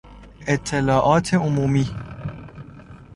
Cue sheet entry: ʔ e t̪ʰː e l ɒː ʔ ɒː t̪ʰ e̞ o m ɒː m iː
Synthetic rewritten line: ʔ e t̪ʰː e l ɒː ʔ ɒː t̪ʰ e̞ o m uː m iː